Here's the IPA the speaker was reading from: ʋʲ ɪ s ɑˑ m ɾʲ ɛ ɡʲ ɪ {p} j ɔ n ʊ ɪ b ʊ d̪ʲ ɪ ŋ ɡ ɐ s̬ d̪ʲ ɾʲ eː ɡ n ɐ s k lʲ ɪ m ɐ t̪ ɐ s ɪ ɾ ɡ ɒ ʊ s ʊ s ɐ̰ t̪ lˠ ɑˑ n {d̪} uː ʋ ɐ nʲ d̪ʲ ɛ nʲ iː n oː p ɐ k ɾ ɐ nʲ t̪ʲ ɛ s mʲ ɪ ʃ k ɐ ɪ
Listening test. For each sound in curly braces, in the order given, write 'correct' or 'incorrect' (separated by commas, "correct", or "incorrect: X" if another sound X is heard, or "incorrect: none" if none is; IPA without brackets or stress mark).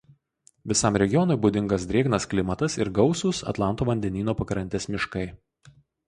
incorrect: none, incorrect: t̪